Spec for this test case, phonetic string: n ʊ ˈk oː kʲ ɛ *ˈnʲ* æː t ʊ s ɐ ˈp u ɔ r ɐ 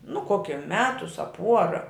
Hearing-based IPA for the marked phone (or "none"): mʲ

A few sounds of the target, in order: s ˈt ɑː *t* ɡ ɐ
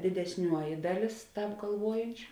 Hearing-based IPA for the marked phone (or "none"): p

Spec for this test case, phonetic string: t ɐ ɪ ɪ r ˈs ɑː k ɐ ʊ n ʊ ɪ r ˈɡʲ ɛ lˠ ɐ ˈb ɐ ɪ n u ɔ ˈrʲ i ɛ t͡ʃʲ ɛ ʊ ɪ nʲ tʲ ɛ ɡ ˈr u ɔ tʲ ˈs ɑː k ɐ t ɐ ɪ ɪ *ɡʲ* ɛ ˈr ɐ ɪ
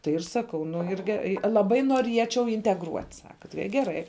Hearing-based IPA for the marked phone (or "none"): ɡʲ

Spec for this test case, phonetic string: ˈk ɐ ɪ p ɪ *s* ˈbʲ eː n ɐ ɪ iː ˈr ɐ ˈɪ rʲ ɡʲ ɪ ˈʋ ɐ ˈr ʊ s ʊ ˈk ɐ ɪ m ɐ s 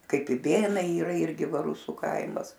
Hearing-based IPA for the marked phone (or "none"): none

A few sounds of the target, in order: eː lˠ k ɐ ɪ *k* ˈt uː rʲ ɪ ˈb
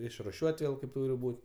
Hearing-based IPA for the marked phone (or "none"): p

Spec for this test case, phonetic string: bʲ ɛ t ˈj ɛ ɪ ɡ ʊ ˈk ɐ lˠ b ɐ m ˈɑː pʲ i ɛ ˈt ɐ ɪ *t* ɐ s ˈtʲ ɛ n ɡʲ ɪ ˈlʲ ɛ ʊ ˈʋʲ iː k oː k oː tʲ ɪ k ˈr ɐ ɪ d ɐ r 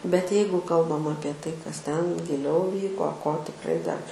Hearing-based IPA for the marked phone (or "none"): k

